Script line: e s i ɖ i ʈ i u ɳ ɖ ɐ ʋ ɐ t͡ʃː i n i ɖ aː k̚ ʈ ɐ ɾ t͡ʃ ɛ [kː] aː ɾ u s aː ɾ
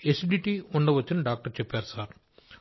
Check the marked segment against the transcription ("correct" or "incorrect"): incorrect